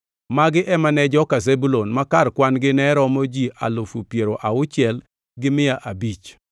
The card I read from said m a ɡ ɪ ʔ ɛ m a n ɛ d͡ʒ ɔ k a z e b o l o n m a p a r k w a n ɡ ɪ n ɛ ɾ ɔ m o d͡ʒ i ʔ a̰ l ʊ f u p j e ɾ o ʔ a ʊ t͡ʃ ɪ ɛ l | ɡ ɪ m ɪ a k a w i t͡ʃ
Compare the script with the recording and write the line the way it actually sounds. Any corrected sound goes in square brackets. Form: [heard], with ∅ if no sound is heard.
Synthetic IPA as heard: m a ɡ ɪ ʔ ɛ m a n ɛ d͡ʒ ɔ k a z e b [u] l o n m a [k] a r k w a n ɡ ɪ n ɛ ɾ ɔ m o d͡ʒ i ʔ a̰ l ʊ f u p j e ɾ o ʔ a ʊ t͡ʃ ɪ ɛ l | ɡ ɪ m ɪ a [ʔ] a [b] i t͡ʃ